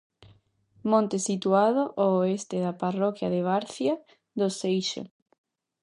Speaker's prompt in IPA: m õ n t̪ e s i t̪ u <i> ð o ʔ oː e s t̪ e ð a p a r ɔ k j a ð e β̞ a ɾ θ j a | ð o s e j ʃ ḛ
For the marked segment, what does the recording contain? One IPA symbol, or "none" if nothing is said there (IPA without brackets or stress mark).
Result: a